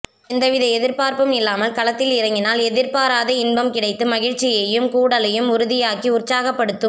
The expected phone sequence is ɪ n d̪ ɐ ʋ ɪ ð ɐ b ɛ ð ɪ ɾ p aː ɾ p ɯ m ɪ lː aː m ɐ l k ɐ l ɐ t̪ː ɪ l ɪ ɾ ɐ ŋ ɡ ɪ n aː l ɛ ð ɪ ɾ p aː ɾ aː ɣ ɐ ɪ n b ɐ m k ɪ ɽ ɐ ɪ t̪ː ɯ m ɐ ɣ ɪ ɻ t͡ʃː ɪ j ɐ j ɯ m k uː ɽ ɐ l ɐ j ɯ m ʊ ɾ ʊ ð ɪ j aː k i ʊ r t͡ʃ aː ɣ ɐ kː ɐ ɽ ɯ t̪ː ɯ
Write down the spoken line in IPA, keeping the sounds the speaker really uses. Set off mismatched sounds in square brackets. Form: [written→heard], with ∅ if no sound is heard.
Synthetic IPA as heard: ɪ n d̪ ɐ ʋ ɪ ð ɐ [b→∅] ɛ ð ɪ ɾ p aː ɾ p ɯ m ɪ lː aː m ɐ l k ɐ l ɐ t̪ː ɪ l ɪ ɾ ɐ ŋ ɡ ɪ n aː l ɛ ð ɪ ɾ p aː ɾ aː [ɣ→ð] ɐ ɪ n b ɐ m k ɪ ɽ ɐ ɪ t̪ː ɯ m ɐ ɣ ɪ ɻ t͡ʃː ɪ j ɐ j ɯ m k uː ɽ ɐ l ɐ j ɯ m ʊ ɾ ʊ ð ɪ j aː k i ʊ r t͡ʃ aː ɣ ɐ [kː→pː] ɐ ɽ ɯ t̪ː ɯ